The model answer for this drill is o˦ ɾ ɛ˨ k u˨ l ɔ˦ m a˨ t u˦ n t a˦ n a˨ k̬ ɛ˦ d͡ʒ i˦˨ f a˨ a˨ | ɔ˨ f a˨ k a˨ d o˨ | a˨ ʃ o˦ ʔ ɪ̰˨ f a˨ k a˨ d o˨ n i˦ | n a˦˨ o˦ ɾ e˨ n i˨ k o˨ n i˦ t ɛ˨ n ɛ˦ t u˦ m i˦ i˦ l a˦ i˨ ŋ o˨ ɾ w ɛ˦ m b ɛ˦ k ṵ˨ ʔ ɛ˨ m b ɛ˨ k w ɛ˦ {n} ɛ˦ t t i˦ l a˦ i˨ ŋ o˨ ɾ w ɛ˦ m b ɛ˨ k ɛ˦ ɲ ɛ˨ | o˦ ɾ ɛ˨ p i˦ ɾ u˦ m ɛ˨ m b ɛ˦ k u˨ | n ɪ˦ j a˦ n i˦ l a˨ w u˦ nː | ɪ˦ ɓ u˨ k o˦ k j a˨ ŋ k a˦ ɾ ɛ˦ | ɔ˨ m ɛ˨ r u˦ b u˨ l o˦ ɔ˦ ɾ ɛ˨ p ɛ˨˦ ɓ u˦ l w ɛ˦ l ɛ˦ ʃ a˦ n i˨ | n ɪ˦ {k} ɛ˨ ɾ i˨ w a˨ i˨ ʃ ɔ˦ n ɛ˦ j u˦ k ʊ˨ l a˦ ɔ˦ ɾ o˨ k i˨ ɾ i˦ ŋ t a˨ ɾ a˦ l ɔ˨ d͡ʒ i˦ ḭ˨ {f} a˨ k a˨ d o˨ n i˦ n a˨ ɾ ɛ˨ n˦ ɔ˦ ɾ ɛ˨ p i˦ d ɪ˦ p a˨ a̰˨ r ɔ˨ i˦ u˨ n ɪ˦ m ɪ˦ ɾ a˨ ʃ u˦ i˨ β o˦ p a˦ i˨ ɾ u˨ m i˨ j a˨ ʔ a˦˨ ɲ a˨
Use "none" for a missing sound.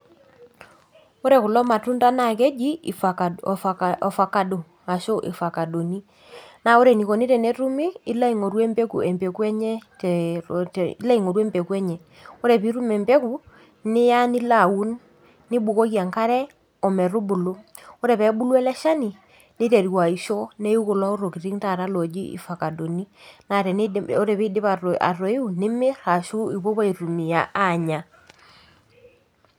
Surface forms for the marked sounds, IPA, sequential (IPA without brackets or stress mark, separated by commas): ɲ, t, f